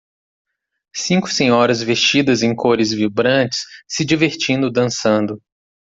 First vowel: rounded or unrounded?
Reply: unrounded